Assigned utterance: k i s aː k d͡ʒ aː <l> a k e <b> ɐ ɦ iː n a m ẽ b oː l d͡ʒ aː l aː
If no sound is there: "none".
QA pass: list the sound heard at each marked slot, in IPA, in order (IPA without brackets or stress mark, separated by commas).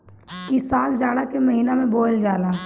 ɽ, m